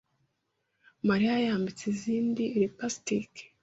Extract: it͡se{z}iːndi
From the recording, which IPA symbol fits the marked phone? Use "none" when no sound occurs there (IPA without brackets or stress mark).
z